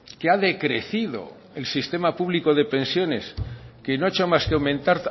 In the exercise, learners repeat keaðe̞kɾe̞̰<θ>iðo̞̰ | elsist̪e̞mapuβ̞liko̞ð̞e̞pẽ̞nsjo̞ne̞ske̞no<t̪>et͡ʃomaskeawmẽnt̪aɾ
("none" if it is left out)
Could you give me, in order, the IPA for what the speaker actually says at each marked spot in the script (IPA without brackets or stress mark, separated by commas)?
θ, none